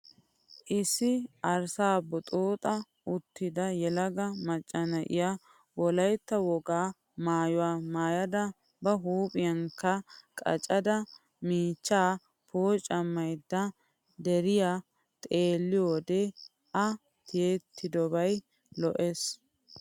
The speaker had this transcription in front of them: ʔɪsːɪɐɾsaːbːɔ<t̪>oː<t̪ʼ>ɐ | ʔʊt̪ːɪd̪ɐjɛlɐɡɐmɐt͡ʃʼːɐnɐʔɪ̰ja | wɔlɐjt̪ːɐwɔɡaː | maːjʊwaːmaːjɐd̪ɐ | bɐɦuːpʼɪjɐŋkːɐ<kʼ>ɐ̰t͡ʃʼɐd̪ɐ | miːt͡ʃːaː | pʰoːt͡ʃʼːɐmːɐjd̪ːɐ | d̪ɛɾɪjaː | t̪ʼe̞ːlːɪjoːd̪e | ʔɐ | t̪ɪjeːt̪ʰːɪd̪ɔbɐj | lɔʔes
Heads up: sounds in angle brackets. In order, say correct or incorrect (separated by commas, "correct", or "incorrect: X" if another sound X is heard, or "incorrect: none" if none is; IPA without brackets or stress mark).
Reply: incorrect: t̪ʼ, correct, correct